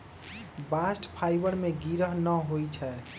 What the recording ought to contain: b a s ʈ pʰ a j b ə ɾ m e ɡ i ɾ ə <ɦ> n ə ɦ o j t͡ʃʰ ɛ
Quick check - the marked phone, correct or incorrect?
correct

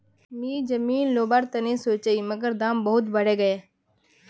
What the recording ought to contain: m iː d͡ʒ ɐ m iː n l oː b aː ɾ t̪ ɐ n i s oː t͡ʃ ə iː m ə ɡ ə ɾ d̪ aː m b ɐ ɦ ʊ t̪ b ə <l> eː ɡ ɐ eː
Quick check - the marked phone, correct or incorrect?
incorrect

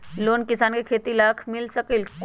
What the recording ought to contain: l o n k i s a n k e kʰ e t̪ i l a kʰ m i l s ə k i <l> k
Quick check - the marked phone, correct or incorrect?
correct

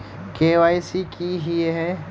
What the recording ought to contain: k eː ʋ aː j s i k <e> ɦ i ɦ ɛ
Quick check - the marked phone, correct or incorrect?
incorrect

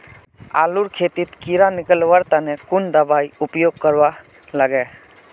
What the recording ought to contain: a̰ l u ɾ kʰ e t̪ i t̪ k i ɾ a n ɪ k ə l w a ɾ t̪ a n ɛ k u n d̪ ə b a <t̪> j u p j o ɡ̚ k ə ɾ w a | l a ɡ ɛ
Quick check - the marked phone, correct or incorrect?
incorrect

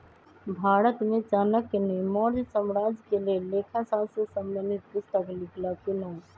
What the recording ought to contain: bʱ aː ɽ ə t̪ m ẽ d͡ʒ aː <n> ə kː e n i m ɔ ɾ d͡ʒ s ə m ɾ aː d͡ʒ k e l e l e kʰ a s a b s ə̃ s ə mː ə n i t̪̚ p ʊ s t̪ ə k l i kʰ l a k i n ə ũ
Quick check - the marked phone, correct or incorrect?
correct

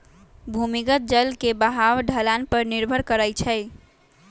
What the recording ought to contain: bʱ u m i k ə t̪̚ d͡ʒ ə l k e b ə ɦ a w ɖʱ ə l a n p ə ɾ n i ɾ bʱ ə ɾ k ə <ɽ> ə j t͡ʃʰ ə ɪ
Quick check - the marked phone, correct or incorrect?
incorrect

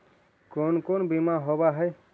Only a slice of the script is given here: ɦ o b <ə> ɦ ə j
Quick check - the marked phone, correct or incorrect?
incorrect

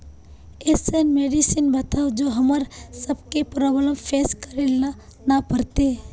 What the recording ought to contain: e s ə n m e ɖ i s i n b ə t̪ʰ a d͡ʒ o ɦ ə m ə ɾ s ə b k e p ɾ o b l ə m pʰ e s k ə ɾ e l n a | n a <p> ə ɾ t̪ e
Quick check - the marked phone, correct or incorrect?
correct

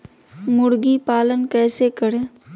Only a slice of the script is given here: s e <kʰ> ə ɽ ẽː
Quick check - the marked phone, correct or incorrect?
incorrect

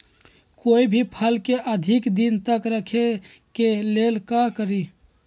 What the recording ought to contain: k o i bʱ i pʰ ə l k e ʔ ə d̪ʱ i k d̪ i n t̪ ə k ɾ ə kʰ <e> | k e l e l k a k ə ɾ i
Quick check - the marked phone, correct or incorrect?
correct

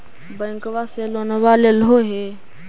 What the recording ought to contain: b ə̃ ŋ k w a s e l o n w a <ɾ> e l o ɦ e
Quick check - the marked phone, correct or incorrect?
incorrect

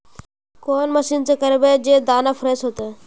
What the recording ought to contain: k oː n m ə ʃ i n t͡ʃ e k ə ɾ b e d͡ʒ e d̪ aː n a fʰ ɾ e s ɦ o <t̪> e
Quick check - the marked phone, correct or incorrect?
correct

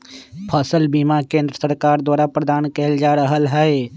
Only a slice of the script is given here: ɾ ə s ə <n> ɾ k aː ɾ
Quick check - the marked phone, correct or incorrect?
incorrect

